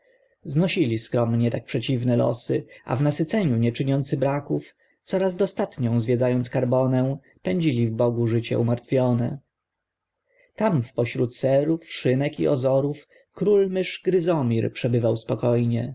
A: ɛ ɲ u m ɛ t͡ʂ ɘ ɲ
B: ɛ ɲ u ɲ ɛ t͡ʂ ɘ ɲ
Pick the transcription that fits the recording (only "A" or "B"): B